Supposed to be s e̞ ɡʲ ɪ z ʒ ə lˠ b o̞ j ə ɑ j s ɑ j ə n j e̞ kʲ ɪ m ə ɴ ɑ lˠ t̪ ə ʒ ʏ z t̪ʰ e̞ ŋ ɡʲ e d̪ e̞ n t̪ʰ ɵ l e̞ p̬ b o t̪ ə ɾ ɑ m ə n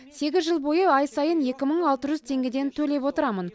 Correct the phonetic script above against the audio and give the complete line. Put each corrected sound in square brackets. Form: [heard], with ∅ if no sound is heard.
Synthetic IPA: s e̞ ɡʲ ɪ z ʒ ə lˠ b o̞ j ə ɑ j s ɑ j ə n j e̞ kʲ ɪ m ə ɴ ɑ lˠ t̪ ə ʒ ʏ z t̪ʰ e̞ ŋ ɡʲ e d̪ e̞ n t̪ʰ ɵ l e̞ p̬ [w] o t̪ ə ɾ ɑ m ə n